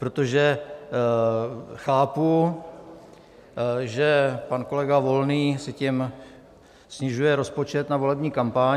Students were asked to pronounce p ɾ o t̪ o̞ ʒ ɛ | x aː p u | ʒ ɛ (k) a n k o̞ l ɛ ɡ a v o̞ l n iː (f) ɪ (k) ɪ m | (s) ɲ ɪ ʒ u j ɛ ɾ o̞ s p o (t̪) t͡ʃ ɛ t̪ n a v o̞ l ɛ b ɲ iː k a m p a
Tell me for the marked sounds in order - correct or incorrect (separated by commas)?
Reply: incorrect, incorrect, incorrect, correct, incorrect